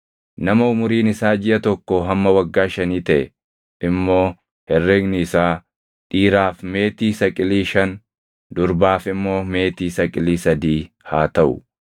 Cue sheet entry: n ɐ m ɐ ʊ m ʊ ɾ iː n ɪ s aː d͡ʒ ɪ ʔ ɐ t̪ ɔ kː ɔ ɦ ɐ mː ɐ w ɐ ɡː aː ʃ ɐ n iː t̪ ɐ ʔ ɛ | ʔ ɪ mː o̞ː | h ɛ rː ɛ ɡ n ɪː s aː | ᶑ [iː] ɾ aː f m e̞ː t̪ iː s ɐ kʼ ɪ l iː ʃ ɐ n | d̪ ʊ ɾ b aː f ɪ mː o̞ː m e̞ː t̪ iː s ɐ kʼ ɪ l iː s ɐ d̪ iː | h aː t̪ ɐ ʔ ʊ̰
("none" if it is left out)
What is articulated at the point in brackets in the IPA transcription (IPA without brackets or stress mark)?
iː